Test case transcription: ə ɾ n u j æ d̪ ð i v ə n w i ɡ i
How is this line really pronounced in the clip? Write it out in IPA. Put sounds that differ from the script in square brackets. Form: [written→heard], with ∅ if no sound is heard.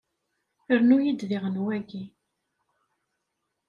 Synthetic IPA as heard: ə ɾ n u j [æ→i] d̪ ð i [v→ʁ] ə n w [i→æ] ɡ i

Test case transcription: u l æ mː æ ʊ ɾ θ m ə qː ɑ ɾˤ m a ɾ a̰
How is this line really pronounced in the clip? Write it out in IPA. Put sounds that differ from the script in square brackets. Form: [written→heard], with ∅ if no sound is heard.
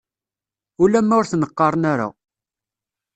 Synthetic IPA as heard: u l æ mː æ ʊ ɾ θ [m→n] ə qː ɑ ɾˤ [m→n] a ɾ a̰

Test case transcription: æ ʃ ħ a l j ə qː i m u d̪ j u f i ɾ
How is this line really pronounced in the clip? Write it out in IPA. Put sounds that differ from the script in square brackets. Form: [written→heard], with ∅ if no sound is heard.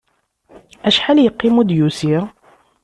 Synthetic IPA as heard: æ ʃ ħ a l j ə qː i m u d̪ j u [f→s] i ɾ

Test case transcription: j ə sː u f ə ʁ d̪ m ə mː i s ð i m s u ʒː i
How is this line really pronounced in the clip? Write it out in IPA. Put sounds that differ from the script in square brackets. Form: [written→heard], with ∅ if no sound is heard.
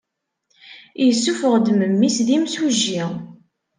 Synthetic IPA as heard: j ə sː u f ə ʁ d̪ m ə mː i s ð i m s u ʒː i

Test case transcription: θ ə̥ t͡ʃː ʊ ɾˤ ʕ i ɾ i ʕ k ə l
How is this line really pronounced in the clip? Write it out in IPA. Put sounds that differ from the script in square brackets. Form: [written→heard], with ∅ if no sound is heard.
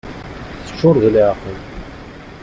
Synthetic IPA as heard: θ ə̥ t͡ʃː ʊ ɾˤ [ʕ→ð] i [ɾ→l] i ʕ [k→q] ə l

